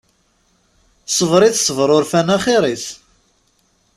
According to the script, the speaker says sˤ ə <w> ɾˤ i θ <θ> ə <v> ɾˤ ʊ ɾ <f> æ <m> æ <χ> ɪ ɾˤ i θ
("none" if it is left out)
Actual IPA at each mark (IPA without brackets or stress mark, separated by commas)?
v, s, v, f, n, χ